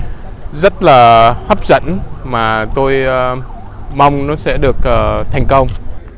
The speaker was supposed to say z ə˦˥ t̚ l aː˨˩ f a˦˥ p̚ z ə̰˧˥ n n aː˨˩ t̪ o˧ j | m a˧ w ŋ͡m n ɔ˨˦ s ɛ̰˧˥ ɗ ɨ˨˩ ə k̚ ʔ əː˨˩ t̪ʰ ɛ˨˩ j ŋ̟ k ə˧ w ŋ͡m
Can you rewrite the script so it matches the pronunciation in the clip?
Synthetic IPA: z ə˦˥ t̚ l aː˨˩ h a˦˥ p̚ z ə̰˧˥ n m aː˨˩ t̪ o˧ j | m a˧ w ŋ͡m n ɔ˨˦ s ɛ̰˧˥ ɗ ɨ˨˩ ə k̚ ʔ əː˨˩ t̪ʰ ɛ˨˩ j ŋ̟ k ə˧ w ŋ͡m

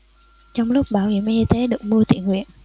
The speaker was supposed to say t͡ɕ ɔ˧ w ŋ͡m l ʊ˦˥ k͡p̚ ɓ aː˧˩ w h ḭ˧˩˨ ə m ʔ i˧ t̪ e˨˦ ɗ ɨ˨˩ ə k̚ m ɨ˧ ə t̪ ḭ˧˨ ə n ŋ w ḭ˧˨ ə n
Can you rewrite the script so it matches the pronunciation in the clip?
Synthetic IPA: t͡ɕ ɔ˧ w ŋ͡m l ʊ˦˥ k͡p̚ ɓ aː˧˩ w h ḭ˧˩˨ ə m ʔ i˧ t̪ e˨˦ ɗ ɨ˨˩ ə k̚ m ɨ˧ ə t̪ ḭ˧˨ ə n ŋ w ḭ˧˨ ə n

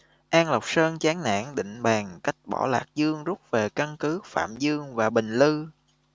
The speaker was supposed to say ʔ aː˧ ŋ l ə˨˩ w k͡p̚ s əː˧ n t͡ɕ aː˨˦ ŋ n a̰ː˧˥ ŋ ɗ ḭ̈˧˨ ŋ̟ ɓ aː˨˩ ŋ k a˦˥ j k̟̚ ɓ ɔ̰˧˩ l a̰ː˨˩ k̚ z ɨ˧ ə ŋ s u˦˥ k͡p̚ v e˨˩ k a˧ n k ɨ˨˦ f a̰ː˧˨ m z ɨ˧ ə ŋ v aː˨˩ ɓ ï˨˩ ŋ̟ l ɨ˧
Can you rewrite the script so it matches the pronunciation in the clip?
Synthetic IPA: ʔ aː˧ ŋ l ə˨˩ w k͡p̚ s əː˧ n t͡ɕ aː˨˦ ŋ n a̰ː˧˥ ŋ ɗ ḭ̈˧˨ ŋ̟ ɓ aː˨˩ ŋ k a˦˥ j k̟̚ ɓ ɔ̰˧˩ l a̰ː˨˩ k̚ z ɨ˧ ə ŋ z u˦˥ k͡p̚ v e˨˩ k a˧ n k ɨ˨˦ f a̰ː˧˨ m z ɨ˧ ə ŋ v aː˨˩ ɓ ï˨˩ ŋ̟ l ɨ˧

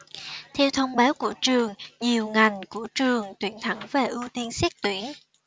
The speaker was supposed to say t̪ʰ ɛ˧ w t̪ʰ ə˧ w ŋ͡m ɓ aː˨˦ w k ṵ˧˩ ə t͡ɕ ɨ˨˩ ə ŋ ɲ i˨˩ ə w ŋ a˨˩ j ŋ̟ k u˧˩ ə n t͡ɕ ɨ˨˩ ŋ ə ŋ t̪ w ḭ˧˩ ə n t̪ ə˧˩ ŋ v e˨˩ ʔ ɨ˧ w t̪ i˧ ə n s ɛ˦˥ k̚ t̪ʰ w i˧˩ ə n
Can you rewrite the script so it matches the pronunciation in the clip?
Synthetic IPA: t̪ʰ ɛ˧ w t̪ʰ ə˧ w ŋ͡m ɓ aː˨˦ w k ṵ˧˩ ə t͡ɕ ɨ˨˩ ə ŋ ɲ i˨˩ ə w ŋ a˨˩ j ŋ̟ k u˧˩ ə t͡ɕ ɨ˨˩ ə ŋ t̪ w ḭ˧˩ ə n t̪ʰ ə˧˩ ŋ v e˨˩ ʔ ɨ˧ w t̪ i˧ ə n s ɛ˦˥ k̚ t̪ w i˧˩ ə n

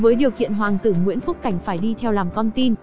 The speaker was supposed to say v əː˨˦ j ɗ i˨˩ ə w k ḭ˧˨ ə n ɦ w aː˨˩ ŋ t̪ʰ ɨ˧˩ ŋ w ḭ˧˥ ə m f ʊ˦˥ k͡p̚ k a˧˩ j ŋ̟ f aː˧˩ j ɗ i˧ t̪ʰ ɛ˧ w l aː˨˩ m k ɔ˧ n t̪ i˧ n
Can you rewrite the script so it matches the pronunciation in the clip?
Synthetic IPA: v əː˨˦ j ɗ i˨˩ ə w k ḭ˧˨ ə n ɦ w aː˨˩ ŋ t̪ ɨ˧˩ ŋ w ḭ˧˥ ə n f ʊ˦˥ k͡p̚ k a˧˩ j ŋ̟ f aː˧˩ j ɗ i˧ t̪ʰ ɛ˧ w l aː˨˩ m k ɔ˧ n t̪ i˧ n

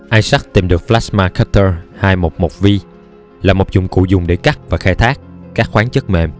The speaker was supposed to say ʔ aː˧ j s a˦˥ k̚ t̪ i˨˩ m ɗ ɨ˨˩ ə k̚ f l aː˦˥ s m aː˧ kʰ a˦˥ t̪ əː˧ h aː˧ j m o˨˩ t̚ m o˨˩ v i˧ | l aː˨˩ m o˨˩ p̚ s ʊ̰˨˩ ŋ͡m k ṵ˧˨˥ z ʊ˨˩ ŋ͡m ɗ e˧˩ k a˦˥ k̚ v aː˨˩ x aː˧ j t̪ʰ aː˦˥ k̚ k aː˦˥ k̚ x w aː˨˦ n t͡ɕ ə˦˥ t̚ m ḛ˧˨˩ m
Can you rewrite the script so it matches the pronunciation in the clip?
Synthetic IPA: ʔ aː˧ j s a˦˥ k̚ t̪ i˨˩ m ɗ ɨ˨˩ ə k̚ f l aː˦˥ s m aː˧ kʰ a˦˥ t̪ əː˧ h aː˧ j m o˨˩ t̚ m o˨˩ v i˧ | l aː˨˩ m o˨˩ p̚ z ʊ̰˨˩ ŋ͡m k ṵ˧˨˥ z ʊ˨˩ ŋ͡m ɗ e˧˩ k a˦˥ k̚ v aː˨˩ x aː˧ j t̪ʰ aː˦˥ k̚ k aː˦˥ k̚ x w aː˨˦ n t͡ɕ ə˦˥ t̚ m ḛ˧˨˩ m

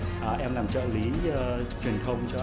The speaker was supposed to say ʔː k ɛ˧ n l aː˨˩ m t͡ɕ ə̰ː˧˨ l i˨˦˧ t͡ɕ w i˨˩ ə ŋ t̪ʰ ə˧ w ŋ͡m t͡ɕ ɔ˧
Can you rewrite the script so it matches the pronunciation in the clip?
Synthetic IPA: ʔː ʔ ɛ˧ m l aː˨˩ m t͡ɕ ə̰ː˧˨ l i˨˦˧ t͡ɕ w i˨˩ ə n t̪ʰ ə˧ w ŋ͡m t͡ɕ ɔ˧

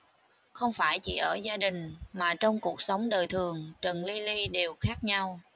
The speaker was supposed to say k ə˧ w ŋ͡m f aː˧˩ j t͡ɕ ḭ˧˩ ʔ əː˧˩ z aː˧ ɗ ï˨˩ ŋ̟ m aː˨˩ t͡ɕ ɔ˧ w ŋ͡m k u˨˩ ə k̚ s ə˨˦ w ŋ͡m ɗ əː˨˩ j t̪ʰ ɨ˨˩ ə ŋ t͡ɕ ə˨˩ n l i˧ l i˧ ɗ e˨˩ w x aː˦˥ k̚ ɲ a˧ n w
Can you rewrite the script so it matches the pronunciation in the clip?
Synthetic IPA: x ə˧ w ŋ͡m f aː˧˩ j t͡ɕ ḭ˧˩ ʔ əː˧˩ z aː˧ ɗ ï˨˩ ŋ̟ m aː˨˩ t͡ɕ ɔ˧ w ŋ͡m k u˨˩ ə k̚ s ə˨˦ w ŋ͡m ɗ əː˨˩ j t̪ʰ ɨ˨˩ ə ŋ t͡ɕ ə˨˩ n l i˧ l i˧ ɗ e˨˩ w x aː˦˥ k̚ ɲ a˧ w

